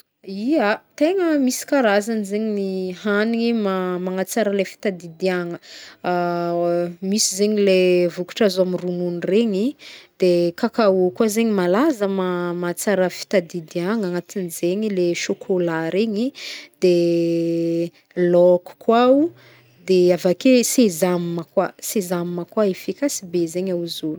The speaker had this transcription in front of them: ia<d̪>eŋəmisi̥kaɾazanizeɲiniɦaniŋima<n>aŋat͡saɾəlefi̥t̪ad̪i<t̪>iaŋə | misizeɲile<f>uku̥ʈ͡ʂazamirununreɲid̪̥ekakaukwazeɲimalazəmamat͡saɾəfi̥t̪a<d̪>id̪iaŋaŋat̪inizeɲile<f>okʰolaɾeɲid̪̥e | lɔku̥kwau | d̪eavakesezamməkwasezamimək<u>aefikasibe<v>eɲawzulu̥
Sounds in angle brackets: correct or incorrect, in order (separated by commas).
incorrect, incorrect, incorrect, incorrect, correct, incorrect, incorrect, incorrect